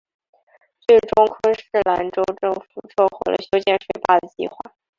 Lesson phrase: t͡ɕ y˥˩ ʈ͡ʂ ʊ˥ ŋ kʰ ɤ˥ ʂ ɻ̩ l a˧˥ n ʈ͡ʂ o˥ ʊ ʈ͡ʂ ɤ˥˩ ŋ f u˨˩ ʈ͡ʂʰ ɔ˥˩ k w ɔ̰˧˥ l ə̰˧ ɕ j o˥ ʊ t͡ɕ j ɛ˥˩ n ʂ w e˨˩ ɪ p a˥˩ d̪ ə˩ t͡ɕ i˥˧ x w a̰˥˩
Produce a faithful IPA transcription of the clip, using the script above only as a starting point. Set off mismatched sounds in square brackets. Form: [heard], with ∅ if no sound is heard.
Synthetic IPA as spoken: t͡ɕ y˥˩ ʈ͡ʂ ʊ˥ ŋ kʰ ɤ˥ ʂ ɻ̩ l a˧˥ n ʈ͡ʂ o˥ ʊ ʈ͡ʂ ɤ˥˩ ŋ f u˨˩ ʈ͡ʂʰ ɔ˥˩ [x] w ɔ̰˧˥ l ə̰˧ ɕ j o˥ ʊ t͡ɕ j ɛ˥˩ n ʂ w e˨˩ ɪ p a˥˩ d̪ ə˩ t͡ɕ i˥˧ x w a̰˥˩